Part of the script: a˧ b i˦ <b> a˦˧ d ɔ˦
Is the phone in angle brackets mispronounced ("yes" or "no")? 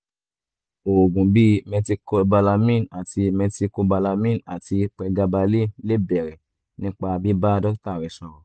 no